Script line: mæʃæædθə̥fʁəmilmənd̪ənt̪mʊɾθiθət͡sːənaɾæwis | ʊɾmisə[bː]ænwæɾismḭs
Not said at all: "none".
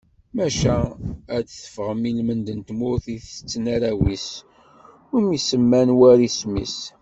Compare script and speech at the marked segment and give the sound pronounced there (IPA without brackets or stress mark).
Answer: mː